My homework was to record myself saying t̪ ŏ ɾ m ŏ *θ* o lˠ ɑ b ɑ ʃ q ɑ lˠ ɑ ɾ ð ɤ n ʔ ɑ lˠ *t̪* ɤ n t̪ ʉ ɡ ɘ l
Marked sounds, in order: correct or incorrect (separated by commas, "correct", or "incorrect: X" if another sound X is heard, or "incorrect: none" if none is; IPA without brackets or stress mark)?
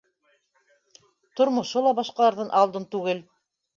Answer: incorrect: ʃ, incorrect: d̪